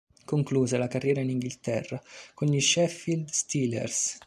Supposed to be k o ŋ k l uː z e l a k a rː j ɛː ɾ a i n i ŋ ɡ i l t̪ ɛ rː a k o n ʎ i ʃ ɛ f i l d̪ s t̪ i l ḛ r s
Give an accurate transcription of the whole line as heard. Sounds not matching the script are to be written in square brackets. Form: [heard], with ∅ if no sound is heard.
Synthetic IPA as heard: k o ŋ k l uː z e l a k a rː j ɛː ɾ a i n i ŋ ɡ i l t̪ ɛ rː a k o n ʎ i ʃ ɛ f i l d̪ s t̪ i l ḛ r s